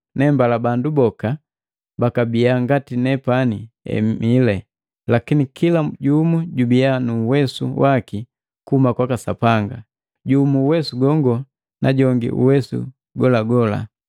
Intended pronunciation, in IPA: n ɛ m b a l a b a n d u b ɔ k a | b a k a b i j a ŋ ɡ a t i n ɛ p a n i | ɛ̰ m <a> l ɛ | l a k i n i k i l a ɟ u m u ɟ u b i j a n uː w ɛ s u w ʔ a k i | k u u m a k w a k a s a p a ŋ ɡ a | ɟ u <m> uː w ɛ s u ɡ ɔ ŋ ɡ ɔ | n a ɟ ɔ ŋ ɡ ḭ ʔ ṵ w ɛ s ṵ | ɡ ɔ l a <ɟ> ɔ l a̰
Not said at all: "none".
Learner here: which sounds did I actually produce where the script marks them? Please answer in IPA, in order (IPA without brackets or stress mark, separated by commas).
i, m, ɡ